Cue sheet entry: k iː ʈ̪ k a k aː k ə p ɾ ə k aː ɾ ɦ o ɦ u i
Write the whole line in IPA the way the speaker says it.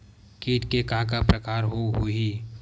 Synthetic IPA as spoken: k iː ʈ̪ k e k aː k a p ɾ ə k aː ɾ ɦ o ɦ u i